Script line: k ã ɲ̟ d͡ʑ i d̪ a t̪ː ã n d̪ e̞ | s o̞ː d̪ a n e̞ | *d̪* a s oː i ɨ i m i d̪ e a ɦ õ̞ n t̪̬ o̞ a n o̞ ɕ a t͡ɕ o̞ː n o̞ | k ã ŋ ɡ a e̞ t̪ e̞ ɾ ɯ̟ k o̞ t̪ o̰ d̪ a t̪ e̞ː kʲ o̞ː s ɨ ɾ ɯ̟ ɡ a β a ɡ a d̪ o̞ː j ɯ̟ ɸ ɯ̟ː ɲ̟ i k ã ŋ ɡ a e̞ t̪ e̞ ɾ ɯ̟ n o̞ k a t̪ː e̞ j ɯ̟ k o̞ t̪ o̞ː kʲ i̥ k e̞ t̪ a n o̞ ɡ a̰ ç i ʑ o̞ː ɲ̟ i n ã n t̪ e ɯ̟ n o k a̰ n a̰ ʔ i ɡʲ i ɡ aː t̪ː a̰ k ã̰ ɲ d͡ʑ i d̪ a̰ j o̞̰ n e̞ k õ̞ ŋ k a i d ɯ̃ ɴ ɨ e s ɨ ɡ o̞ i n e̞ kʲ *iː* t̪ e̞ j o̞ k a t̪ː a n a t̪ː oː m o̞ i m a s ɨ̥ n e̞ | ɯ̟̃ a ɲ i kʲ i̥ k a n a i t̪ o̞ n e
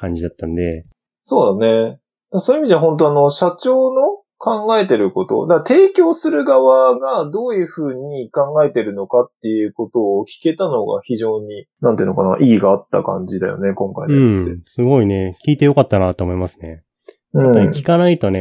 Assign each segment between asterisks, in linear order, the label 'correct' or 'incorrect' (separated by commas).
correct, correct